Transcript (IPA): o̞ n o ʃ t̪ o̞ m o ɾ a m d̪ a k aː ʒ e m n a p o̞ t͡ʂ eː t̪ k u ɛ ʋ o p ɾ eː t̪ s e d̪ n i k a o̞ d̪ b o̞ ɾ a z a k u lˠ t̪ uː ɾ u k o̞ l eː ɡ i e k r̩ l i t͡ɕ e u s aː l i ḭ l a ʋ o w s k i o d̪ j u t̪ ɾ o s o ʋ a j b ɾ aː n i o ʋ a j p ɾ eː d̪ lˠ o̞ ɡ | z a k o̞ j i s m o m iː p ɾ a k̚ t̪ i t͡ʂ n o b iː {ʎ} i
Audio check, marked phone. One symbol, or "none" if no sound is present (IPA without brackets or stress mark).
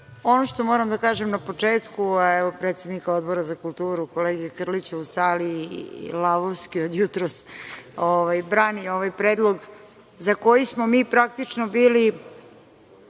l